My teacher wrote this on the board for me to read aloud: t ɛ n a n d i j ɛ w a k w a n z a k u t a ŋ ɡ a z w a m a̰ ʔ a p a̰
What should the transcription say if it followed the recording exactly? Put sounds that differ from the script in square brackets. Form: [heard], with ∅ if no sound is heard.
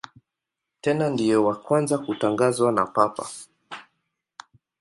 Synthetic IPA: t ɛ n a n d i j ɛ w a k w a n z a k u t a ŋ ɡ a z w a [n] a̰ [p] a p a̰